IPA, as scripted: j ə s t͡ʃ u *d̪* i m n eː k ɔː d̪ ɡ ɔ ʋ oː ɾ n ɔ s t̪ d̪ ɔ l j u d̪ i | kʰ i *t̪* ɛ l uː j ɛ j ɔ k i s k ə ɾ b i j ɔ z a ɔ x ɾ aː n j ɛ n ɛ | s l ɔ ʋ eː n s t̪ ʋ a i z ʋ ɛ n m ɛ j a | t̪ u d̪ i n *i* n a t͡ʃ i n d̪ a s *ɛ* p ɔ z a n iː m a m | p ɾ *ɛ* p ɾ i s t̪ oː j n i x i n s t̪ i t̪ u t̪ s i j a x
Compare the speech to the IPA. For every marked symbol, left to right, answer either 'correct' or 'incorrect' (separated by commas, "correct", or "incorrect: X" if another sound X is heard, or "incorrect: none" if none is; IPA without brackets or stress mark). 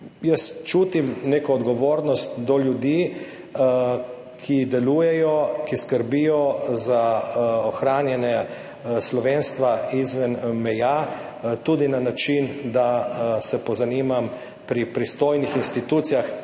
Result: incorrect: t̪, incorrect: d̪, incorrect: a, correct, incorrect: i